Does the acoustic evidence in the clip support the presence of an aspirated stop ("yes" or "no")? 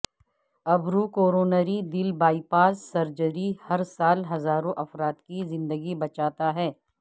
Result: no